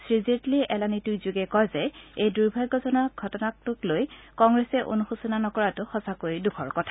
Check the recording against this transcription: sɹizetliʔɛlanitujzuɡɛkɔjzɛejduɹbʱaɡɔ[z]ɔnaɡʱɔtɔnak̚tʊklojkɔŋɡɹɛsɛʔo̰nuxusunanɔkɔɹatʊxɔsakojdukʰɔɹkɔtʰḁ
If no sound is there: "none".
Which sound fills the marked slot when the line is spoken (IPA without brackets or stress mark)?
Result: z